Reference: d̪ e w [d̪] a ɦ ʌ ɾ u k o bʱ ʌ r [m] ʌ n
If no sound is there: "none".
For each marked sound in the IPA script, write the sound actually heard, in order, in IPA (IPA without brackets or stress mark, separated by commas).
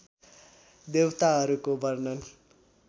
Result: t̪, n